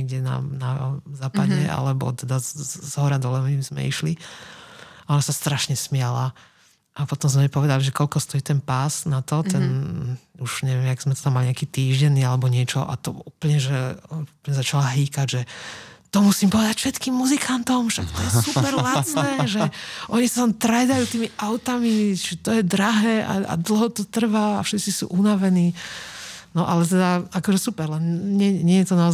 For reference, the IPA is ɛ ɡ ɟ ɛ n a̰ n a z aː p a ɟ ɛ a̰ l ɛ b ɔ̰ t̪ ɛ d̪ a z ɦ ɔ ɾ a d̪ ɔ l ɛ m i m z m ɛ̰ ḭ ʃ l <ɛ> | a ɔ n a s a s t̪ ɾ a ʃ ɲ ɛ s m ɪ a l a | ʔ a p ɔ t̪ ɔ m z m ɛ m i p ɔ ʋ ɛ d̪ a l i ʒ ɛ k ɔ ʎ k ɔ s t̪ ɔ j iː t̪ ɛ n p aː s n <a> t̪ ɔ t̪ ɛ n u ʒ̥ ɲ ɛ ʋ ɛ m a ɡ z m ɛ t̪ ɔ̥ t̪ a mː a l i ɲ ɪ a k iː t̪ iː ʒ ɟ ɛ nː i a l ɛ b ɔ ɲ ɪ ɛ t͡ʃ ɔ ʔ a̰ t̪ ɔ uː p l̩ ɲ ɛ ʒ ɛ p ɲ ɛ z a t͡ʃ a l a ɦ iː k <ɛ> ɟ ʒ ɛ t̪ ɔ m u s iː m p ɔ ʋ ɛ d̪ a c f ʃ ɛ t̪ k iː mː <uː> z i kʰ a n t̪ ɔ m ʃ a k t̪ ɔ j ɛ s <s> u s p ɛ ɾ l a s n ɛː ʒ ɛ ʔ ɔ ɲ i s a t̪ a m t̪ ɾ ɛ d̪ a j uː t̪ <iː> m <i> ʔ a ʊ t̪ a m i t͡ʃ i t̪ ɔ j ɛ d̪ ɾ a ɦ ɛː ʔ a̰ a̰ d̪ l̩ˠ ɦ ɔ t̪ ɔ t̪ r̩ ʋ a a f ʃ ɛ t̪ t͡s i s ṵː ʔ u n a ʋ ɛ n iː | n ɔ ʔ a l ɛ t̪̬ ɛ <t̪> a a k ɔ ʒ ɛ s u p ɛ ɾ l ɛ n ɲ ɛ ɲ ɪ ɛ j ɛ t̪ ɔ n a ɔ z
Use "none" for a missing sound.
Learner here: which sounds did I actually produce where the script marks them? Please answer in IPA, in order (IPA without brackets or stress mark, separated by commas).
i, a, a, u, s, iː, i, d̪